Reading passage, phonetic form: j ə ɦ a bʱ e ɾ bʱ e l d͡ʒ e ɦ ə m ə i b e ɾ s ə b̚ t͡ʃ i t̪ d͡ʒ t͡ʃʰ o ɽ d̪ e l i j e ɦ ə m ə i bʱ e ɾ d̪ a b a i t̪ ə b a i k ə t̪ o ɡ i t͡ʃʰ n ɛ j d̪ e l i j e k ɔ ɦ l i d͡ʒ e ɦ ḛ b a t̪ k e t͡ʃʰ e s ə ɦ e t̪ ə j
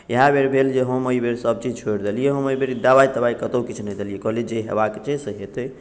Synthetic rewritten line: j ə ɦ a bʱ e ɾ bʱ e l d͡ʒ e ɦ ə m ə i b e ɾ s ə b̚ t͡ʃ i d͡ʒ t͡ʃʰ o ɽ d̪ e l i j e ɦ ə m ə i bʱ e ɾ d̪ a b a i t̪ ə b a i k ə t̪ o k i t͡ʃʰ n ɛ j d̪ e l i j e k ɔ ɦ l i d͡ʒ e ɦ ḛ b a k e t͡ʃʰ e s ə ɦ e t̪ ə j